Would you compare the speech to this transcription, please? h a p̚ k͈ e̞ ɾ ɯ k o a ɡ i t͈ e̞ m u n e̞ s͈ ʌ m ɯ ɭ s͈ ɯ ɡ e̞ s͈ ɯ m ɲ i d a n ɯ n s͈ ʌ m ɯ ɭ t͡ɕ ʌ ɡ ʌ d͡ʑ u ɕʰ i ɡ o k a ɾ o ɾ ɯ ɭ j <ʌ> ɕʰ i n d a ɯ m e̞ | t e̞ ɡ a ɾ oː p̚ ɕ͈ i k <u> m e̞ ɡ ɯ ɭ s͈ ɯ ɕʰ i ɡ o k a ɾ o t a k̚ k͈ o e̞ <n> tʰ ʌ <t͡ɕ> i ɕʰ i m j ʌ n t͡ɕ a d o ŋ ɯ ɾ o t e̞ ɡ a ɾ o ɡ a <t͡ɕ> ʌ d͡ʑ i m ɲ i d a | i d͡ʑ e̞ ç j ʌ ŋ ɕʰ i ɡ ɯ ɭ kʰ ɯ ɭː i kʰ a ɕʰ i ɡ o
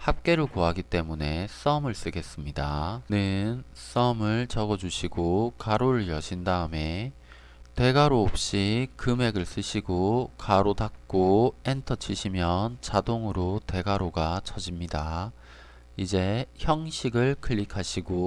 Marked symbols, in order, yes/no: yes, no, yes, no, no

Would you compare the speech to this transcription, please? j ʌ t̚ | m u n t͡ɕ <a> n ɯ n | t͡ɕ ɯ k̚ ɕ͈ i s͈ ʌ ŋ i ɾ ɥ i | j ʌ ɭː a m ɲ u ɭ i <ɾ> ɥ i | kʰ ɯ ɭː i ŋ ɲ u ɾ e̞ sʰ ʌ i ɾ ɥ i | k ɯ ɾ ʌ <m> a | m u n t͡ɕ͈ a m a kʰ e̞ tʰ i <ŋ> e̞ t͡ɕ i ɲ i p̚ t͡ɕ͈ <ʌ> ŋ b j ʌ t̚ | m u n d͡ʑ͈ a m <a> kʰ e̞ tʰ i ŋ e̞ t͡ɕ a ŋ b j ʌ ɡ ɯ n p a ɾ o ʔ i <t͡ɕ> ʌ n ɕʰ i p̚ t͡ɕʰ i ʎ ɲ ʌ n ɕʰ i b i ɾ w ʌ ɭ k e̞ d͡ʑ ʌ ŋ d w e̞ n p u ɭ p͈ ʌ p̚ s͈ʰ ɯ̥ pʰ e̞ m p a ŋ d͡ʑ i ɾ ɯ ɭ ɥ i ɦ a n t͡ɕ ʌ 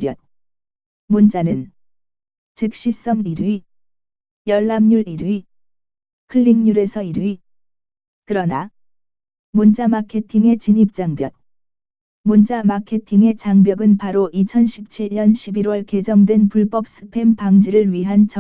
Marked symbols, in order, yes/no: yes, yes, no, yes, no, yes, no

